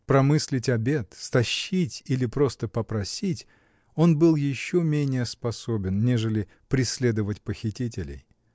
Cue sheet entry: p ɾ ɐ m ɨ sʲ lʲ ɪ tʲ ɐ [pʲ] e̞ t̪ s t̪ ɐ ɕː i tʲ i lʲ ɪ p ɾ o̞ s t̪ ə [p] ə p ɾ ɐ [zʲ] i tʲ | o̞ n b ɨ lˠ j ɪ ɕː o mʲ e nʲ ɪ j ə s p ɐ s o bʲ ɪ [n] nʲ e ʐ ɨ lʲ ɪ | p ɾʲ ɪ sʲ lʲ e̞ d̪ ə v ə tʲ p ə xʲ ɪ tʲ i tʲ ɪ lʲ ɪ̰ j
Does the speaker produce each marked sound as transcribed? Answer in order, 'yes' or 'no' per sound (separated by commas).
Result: no, yes, no, yes